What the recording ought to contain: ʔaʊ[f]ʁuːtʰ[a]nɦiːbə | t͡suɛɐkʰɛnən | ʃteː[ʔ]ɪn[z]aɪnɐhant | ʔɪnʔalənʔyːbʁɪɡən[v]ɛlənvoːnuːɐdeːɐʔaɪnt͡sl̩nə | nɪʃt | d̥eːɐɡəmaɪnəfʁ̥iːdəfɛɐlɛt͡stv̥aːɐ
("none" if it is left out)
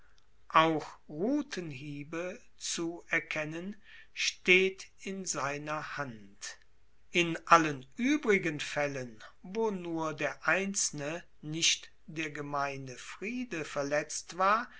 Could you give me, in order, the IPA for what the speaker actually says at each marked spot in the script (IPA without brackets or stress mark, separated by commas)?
x, ə, t, z, f